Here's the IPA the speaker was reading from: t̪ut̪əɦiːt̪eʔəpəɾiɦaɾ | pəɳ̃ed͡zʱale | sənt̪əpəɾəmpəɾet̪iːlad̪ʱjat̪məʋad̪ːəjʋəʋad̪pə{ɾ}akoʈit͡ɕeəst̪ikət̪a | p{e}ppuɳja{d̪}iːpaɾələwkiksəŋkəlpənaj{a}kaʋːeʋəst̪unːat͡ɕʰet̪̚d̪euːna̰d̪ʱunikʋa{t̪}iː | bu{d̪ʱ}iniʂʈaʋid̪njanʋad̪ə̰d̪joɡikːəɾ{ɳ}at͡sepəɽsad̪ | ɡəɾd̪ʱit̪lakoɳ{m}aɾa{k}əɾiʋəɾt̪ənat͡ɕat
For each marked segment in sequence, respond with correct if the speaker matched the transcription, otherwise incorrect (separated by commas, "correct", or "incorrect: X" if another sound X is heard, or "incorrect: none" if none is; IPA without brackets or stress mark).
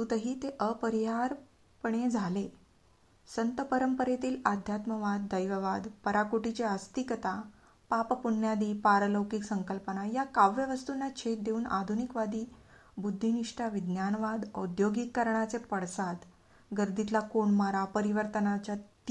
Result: correct, incorrect: a, correct, correct, incorrect: d̪, incorrect: d̪ʱː, correct, correct, incorrect: p